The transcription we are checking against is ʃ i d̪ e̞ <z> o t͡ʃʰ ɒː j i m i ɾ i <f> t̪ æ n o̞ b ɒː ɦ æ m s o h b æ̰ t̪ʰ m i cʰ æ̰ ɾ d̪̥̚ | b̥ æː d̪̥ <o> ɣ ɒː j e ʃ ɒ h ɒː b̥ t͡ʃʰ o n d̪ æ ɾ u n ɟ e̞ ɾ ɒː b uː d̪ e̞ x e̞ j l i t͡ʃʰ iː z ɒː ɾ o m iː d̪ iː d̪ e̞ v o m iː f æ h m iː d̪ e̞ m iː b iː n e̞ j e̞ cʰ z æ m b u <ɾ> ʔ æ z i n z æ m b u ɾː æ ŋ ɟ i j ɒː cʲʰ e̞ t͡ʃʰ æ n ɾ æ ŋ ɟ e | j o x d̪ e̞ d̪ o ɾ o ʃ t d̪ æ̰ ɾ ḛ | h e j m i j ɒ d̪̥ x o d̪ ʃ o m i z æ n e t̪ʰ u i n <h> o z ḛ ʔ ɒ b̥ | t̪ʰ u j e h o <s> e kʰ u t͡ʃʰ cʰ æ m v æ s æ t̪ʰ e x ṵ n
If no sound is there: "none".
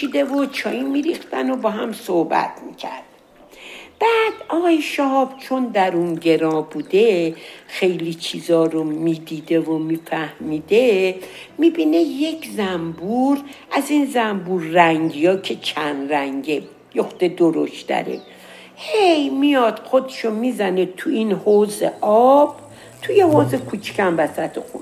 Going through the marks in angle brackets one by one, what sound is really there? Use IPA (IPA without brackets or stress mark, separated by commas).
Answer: v, x, ɒ, ɾ, h, z